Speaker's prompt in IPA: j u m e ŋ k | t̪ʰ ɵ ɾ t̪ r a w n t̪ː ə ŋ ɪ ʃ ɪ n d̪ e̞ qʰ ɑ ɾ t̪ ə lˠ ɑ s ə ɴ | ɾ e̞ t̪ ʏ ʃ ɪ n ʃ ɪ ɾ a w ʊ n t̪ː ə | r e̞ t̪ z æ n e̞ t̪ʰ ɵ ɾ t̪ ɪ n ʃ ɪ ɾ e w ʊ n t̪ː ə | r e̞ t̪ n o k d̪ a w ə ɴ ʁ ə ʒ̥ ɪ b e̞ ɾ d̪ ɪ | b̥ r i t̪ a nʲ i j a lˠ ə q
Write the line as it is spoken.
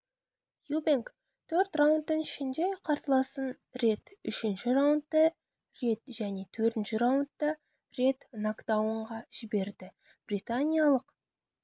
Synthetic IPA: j u b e ŋ k | t̪ʰ ɵ ɾ t̪ r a w n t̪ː ə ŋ ɪ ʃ ɪ n d̪ e̞ qʰ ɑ ɾ t̪ ə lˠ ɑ s ə n | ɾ e̞ t̪ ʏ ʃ ɪ n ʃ ɪ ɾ a w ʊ n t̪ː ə | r e̞ t̪ ʒ æ n e̞ t̪ʰ ɵ ɾ t̪ ɪ n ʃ ɪ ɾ a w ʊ n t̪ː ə | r e̞ t̪ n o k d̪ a w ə ɴ ʁ ɑ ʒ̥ ɪ b e̞ ɾ d̪ ɪ | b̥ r i t̪ a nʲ i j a lˠ ə q